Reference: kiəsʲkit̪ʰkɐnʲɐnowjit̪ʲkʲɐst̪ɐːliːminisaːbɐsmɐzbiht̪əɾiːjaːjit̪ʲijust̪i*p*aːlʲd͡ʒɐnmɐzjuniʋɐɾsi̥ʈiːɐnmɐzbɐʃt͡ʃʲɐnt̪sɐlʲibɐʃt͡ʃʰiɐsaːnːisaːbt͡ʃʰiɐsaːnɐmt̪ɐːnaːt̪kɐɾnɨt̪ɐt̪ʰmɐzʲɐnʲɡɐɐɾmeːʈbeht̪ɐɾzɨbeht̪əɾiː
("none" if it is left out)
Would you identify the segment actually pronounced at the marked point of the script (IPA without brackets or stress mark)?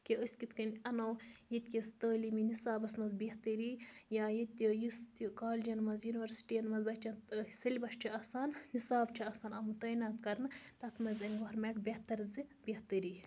k